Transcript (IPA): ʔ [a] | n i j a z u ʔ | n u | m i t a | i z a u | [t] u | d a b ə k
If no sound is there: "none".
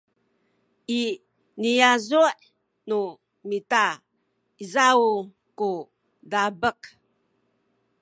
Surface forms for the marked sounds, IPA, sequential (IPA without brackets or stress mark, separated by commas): i, k